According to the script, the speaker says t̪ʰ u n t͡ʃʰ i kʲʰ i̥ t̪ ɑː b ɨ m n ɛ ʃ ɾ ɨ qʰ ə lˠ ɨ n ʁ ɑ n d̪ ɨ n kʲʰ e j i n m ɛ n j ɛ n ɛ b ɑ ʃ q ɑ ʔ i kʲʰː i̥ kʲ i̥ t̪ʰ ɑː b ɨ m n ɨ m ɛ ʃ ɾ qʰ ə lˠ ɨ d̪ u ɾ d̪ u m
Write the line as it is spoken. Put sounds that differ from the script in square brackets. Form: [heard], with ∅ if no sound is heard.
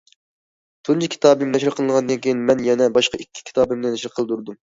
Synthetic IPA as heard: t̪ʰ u n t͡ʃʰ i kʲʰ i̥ t̪ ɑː b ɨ m n ɛ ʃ ɾ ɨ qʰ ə lˠ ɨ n ʁ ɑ n d̪ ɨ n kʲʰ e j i n m ɛ n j ɛ n ɛ b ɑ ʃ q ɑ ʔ i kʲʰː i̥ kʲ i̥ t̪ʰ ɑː b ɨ m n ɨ [n] ɛ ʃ ɾ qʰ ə lˠ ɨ d̪ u ɾ d̪ u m

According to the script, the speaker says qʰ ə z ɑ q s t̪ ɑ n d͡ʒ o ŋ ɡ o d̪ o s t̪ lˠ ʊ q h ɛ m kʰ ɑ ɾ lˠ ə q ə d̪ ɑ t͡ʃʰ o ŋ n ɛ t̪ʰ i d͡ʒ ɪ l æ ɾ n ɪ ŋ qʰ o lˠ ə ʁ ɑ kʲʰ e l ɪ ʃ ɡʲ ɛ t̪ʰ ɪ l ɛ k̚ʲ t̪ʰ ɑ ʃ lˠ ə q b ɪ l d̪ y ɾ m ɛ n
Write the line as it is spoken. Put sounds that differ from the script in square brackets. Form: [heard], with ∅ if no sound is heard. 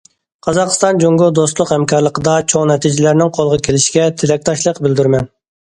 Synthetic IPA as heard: qʰ [ɑ] z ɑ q s t̪ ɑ n d͡ʒ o ŋ ɡ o d̪ o s t̪ lˠ ʊ q h ɛ m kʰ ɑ ɾ lˠ ə q ə d̪ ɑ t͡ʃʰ o ŋ n ɛ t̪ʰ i d͡ʒ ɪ l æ ɾ n ɪ ŋ qʰ o lˠ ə ʁ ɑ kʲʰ e l ɪ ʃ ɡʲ ɛ t̪ʰ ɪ l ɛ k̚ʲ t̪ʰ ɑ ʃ lˠ ə q b ɪ l d̪ y ɾ m ɛ n

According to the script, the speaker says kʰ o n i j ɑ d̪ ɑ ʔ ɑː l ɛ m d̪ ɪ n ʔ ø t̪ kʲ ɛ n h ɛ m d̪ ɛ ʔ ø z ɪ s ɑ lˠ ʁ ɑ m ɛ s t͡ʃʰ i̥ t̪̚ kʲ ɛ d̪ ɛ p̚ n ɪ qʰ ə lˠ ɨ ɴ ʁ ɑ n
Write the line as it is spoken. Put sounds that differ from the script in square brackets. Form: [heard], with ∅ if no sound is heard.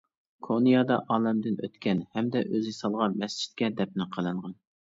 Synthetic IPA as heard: kʰ o n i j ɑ d̪ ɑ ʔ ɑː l ɛ m d̪ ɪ n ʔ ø t̪ kʲ ɛ n h ɛ m d̪ ɛ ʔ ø z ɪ s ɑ lˠ ʁ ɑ m ɛ s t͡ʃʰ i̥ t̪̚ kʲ ɛ d̪ ɛ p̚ n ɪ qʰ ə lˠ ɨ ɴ ʁ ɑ n

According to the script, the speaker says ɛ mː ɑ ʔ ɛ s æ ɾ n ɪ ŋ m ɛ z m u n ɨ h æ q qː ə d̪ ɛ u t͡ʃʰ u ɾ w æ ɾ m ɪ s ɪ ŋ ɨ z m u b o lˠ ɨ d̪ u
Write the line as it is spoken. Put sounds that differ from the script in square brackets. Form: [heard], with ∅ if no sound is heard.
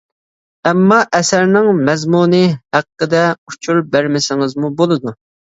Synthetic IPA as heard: ɛ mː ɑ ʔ ɛ s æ ɾ n ɪ ŋ m ɛ z m u n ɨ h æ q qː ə d̪ ɛ u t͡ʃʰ u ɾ [b] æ ɾ m ɪ s ɪ ŋ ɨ z m u b o lˠ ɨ d̪ u

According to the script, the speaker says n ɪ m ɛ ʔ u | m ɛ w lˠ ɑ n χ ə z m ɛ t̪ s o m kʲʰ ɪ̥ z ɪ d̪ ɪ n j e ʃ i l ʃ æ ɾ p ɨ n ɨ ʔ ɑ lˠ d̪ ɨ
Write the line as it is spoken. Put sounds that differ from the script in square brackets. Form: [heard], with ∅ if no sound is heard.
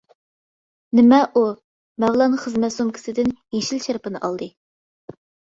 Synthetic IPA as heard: n ɪ m ɛ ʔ u | m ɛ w lˠ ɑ n χ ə z m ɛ t̪ s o m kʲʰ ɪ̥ [s] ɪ d̪ ɪ n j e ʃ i l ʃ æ ɾ p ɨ n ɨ ʔ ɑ lˠ d̪ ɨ

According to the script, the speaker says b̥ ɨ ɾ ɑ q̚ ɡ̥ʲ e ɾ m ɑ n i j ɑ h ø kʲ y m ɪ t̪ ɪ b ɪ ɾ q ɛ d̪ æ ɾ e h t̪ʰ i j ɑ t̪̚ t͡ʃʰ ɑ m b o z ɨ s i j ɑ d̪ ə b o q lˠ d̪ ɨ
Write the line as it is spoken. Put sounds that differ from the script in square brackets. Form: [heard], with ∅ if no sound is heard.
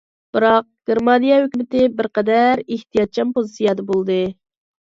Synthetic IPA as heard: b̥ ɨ ɾ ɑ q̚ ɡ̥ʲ e ɾ m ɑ n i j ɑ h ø kʲ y m ɪ t̪ ɪ b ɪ ɾ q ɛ d̪ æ ɾ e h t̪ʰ i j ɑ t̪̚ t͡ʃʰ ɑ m [p] o z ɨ s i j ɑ d̪ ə b o [∅] lˠ d̪ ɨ

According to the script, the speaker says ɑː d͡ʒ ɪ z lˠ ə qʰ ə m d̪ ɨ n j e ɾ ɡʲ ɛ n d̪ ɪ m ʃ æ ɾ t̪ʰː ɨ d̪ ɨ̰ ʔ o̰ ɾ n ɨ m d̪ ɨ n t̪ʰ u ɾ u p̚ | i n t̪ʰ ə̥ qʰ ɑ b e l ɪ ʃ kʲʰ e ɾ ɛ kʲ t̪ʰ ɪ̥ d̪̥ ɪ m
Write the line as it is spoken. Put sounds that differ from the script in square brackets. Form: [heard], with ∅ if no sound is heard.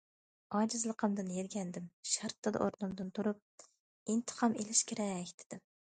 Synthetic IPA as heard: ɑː d͡ʒ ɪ z lˠ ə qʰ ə m d̪ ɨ n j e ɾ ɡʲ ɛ n d̪ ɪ m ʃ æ ɾ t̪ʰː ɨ d̪ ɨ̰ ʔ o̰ ɾ n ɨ m d̪ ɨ n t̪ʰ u ɾ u p̚ | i n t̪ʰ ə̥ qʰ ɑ [m] e l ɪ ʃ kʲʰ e ɾ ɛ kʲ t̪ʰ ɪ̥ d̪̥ ɪ m

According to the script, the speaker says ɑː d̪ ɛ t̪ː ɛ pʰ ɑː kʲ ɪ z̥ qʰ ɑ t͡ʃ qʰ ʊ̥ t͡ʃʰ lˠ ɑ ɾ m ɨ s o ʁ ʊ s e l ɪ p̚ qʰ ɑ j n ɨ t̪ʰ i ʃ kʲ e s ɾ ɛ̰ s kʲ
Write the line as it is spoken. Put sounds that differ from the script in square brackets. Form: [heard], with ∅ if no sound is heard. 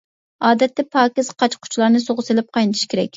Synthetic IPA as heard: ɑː d̪ ɛ t̪ː ɛ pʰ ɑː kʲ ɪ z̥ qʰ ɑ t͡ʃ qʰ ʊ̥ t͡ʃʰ lˠ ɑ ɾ [n] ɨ s o ʁ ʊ s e l ɪ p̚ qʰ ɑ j n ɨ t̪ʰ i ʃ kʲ e [∅] ɾ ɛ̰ [∅] kʲ

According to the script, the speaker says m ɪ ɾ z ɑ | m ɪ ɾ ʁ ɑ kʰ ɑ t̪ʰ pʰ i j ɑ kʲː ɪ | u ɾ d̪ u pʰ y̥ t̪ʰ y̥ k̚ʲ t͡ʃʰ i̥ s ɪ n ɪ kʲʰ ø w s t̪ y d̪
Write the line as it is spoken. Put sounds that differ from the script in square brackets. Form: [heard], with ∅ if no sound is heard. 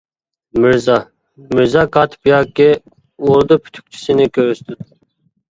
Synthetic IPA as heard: m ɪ ɾ z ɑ | m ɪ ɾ [z] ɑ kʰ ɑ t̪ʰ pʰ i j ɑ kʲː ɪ | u ɾ d̪ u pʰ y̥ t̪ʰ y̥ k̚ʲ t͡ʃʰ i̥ s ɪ n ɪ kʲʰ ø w s t̪ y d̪

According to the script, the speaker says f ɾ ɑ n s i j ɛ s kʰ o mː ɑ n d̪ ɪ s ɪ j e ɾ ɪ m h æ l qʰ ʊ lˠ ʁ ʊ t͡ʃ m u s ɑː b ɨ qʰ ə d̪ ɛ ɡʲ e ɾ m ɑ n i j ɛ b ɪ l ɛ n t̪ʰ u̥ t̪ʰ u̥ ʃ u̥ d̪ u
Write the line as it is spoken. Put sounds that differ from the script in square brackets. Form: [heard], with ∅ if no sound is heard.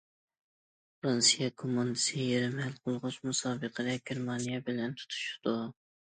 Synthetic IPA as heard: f ɾ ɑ n s i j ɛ [∅] kʰ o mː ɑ n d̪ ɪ s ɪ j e ɾ ɪ m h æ l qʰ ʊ lˠ ʁ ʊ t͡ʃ m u s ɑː b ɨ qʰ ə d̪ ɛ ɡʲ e ɾ m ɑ n i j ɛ b ɪ l ɛ n t̪ʰ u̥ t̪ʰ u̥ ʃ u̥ d̪ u

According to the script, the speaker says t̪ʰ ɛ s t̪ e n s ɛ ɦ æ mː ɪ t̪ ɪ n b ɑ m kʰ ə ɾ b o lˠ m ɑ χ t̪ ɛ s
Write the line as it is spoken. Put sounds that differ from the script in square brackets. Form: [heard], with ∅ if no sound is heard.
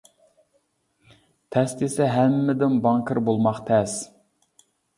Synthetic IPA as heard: t̪ʰ ɛ s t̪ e [∅] s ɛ ɦ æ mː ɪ [d̪] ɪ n b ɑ [ŋ] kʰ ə ɾ b o lˠ m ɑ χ [t̪ʰ] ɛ s

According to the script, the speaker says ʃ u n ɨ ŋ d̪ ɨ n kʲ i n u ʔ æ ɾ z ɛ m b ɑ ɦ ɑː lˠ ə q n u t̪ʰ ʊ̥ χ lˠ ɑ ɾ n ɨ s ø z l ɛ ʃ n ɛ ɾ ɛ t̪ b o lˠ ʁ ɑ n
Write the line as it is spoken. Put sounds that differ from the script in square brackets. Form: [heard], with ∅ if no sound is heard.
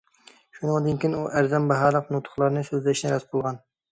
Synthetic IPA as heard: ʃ u n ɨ ŋ d̪ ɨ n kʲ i n u ʔ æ ɾ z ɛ m b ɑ ɦ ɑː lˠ ə q n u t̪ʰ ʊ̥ χ lˠ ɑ ɾ n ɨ s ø z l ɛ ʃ n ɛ ɾ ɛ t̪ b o lˠ ʁ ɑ n

